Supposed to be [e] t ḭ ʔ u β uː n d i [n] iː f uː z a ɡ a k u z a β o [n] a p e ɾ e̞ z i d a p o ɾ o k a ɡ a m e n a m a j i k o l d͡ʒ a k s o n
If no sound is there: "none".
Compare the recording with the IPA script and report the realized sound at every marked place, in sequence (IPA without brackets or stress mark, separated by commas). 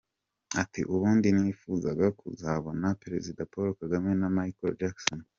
a, n, n